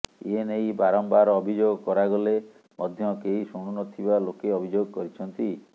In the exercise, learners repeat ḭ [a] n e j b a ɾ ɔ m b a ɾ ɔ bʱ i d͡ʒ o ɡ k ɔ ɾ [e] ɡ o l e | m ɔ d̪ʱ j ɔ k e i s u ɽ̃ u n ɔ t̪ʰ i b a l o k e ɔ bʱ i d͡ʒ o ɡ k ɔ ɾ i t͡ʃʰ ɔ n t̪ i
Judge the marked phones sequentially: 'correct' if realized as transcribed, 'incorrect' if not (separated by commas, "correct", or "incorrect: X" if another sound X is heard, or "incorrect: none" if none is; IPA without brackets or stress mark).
incorrect: e, incorrect: a